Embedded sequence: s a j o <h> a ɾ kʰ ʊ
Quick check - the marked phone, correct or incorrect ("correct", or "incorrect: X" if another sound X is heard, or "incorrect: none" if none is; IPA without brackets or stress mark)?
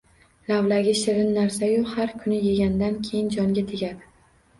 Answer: correct